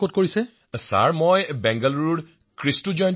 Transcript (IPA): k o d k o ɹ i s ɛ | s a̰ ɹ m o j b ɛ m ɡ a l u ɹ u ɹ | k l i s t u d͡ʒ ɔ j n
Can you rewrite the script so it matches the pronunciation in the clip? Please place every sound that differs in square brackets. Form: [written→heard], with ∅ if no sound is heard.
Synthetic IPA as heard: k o [d→t] k o ɹ i s ɛ | s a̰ ɹ m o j b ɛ [m→ŋ] ɡ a l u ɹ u ɹ | k [l→ɹ] i s t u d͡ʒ ɔ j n